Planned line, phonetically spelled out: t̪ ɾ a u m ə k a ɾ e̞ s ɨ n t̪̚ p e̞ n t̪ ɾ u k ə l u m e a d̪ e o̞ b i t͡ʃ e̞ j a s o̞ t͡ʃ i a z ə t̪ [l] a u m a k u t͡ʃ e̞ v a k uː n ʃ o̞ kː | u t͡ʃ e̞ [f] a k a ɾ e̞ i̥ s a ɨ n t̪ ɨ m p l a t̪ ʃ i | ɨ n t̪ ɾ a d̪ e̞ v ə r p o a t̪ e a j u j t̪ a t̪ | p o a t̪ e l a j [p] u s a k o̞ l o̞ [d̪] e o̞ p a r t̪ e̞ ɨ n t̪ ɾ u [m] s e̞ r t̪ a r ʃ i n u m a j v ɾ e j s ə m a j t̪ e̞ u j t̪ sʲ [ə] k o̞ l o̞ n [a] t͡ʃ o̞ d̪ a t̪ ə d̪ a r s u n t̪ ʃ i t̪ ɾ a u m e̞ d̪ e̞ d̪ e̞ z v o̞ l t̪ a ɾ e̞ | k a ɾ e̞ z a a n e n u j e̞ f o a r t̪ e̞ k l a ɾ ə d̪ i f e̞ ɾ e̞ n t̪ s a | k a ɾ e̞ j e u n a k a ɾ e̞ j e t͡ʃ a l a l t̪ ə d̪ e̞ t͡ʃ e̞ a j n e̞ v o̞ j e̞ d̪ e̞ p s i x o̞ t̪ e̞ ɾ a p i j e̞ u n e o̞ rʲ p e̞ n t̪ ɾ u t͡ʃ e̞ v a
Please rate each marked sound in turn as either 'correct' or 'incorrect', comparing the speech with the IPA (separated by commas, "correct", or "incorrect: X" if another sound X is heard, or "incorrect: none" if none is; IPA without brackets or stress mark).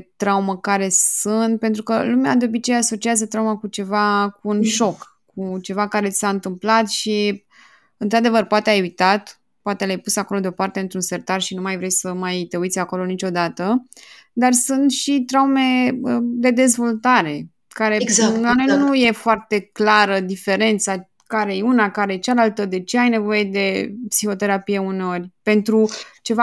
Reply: incorrect: ɾ, incorrect: v, correct, correct, incorrect: n, incorrect: a, incorrect: i